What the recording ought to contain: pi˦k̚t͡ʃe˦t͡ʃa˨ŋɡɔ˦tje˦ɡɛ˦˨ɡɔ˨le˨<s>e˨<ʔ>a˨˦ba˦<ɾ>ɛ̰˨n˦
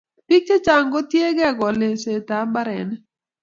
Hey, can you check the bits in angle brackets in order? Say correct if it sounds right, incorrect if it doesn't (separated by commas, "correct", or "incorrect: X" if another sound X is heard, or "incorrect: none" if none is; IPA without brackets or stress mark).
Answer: correct, incorrect: t, correct